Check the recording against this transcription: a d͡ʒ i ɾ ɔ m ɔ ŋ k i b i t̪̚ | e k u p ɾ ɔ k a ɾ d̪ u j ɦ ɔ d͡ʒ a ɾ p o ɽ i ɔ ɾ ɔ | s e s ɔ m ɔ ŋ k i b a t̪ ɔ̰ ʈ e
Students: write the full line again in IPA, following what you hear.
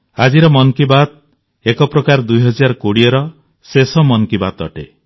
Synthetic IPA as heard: a d͡ʒ i ɾ ɔ m ɔ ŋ k i b a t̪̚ | e k ɔ p ɾ ɔ k a ɾ d̪ u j ɦ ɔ d͡ʒ a ɾ k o ɽ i ɔ ɾ ɔ | s e s ɔ m ɔ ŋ k i b a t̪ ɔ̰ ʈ e